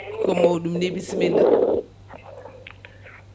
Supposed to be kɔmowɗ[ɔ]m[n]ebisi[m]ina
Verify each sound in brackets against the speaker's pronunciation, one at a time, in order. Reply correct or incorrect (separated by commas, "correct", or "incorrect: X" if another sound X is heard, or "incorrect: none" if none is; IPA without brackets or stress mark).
incorrect: u, correct, correct